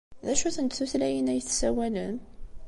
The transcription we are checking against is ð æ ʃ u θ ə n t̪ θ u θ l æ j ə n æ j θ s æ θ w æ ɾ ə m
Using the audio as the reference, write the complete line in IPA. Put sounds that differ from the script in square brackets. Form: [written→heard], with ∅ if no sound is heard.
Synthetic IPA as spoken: ð æ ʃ u θ ə n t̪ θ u θ l æ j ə n æ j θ s æ [θ→∅] w æ [ɾ→l] ə [m→n]